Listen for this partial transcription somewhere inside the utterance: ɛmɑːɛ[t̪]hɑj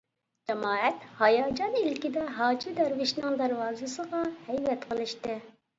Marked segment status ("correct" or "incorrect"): correct